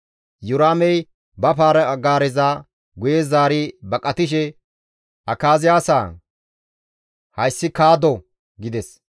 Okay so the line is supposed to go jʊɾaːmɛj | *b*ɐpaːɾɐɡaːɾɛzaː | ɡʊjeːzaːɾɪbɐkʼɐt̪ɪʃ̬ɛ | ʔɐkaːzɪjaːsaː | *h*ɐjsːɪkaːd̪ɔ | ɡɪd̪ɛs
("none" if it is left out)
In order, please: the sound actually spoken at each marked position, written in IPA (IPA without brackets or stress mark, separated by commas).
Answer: b, h